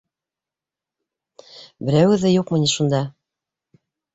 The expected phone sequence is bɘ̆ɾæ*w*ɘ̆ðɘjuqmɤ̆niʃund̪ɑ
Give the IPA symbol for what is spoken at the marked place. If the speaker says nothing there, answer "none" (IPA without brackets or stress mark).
w